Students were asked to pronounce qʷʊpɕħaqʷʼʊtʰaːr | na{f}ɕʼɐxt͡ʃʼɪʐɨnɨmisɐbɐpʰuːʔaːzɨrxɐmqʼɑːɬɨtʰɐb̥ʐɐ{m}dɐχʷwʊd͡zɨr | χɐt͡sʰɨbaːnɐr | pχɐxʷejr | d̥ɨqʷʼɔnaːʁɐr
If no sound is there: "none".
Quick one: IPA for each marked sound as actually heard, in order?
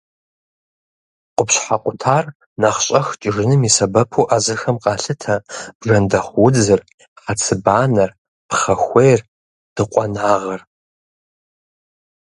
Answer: χ, n

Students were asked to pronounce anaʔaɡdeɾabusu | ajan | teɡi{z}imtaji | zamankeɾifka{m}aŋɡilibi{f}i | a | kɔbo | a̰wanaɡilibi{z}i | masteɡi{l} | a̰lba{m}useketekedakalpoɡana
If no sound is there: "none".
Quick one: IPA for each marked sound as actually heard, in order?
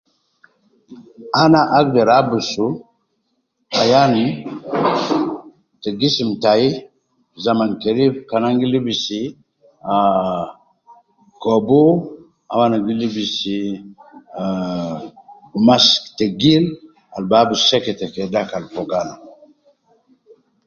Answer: s, n, s, s, l, b

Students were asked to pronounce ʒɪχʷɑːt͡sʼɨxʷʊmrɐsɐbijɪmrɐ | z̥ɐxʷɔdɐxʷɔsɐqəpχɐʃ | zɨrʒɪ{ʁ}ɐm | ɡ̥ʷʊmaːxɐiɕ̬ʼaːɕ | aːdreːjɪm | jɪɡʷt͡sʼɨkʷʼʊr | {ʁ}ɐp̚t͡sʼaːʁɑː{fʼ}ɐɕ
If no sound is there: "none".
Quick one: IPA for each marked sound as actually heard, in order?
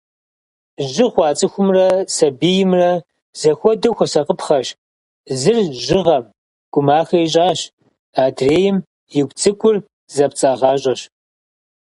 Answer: ʁ, z, ɕʼ

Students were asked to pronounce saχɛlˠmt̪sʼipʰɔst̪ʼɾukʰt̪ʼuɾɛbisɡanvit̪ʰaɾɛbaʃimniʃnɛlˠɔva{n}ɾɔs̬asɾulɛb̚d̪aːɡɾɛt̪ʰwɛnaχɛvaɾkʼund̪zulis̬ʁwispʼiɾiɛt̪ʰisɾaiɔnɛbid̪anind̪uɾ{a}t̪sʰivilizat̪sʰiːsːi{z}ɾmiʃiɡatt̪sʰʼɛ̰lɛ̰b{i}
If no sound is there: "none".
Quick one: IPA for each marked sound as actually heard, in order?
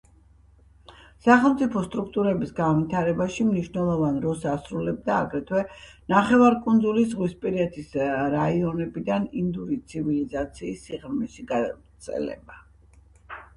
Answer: n, i, ʁ, a

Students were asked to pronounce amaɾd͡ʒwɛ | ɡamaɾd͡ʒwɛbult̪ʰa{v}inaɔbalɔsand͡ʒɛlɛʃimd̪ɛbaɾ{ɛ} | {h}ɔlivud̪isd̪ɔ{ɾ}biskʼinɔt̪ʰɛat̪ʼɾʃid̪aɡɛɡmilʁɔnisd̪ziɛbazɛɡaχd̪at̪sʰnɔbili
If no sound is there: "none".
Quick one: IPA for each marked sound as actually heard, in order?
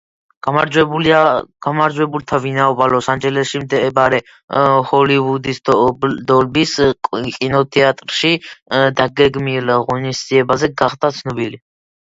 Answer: v, ɛ, h, l

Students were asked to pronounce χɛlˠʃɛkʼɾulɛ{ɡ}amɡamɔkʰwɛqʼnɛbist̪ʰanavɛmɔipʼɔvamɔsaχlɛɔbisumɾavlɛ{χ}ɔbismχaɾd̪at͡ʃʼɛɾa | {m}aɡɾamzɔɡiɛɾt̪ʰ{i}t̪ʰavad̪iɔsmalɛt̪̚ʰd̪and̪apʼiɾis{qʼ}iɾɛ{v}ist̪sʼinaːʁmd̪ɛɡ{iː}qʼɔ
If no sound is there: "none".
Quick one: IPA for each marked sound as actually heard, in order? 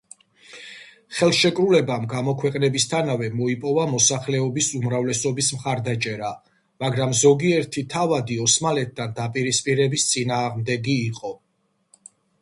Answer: b, s, m, i, pʼ, b, iː

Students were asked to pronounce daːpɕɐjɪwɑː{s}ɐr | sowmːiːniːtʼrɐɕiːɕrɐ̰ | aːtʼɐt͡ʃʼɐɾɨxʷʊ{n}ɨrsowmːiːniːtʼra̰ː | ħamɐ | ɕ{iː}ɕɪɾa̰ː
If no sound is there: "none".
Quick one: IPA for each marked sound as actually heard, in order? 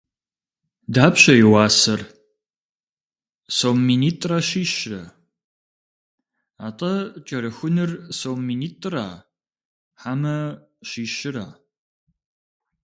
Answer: s, n, iː

